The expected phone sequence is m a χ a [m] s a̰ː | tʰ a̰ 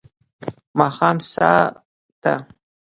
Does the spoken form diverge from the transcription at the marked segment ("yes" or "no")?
no